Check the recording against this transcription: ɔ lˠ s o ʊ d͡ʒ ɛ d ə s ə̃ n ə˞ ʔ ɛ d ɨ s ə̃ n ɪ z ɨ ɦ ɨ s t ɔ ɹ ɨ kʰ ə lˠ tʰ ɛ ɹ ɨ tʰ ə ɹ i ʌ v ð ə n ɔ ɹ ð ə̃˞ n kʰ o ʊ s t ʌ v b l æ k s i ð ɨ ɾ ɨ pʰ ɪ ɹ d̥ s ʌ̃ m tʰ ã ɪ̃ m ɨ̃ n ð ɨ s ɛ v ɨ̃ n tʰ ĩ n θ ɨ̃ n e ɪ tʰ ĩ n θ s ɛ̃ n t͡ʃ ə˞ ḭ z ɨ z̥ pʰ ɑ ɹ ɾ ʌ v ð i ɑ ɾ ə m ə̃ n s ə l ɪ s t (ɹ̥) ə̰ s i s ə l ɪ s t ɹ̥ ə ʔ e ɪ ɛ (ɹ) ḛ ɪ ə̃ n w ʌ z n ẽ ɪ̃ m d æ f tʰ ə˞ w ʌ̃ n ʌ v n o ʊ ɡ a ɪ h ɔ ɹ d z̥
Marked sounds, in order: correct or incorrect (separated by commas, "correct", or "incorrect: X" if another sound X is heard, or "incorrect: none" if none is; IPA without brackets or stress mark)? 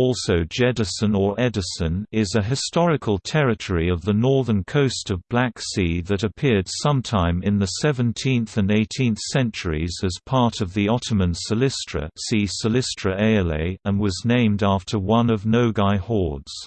correct, incorrect: l